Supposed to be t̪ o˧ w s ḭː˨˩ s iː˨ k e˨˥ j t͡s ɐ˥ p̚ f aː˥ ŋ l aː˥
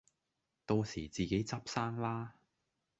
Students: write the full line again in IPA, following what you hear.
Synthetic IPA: t̪ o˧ w s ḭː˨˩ t͡s iː˨ k e˨˥ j t͡s ɐ˥ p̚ s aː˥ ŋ l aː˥